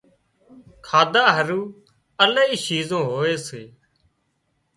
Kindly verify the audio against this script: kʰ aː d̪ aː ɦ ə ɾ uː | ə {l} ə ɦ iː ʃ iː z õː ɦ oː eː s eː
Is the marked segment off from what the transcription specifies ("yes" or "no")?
no